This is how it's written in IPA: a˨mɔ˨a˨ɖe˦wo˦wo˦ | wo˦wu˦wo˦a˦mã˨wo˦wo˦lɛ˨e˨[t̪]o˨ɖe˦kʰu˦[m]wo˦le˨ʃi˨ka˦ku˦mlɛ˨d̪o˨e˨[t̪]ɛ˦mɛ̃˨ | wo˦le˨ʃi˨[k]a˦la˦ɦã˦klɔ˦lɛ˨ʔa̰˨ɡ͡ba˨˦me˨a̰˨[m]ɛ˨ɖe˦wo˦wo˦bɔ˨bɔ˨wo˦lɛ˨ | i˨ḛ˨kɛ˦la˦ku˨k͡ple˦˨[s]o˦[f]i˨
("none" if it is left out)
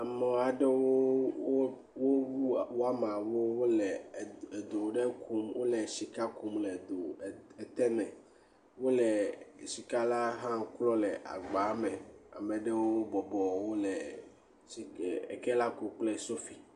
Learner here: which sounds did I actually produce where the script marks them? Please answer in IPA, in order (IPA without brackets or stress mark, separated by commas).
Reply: d̪, m, t̪, k, m, s, f